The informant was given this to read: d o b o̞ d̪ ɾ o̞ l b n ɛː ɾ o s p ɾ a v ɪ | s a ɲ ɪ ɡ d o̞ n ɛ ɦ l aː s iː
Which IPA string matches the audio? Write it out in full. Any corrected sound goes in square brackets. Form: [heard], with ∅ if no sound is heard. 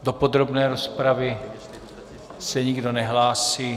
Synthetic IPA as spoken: d o [p] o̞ d̪ ɾ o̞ [∅] b n ɛː ɾ o s p ɾ a v ɪ | s [ɛ] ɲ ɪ ɡ d o̞ n ɛ ɦ l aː s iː